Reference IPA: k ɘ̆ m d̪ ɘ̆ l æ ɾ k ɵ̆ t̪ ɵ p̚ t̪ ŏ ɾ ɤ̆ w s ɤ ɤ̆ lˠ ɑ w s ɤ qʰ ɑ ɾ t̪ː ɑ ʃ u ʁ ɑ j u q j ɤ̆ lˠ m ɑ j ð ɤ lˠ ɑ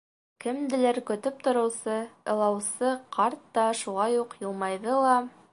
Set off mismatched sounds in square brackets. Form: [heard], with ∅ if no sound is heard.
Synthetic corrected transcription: k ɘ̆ m d̪ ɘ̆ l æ ɾ k ɵ̆ t̪ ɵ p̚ t̪ ŏ ɾ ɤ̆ w s ɤ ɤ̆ lˠ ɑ w s ɤ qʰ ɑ ɾ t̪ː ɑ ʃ u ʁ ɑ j u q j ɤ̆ lˠ m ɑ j ð ɤ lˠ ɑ